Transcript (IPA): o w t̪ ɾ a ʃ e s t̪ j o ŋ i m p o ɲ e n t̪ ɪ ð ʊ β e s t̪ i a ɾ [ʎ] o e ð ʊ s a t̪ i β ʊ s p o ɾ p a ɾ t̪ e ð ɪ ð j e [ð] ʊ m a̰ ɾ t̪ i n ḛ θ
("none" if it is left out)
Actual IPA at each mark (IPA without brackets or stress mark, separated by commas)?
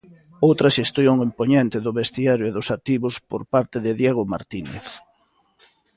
j, ɣ